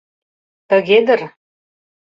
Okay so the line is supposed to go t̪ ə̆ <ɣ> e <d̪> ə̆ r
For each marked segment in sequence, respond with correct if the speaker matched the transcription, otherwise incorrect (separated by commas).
correct, correct